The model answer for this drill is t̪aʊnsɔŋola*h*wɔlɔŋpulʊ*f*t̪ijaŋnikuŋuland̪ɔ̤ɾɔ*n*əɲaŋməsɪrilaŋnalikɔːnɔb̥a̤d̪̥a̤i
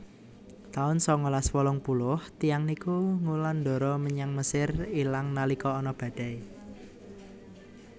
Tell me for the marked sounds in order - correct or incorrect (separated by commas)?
incorrect, incorrect, incorrect